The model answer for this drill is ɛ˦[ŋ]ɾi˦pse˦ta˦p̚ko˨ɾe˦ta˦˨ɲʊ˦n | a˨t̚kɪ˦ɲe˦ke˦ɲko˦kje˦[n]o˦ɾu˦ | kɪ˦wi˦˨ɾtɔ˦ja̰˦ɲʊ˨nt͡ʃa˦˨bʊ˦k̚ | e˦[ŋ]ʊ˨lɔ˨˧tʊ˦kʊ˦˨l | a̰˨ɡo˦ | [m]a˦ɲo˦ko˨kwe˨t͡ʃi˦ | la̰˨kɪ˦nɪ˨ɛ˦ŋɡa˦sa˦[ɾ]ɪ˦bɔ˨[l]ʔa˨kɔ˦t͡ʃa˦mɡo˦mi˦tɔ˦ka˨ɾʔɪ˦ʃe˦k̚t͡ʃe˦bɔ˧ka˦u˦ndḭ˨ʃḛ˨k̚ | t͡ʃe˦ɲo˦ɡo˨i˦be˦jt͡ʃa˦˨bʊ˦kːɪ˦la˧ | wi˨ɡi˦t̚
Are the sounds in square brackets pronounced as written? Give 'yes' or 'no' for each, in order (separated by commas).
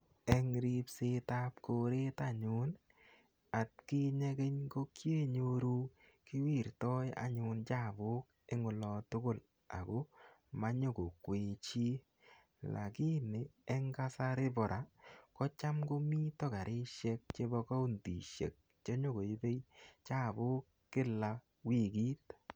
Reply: yes, no, yes, yes, yes, no